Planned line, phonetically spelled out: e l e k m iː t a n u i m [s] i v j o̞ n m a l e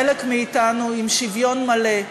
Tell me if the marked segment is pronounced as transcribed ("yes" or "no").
no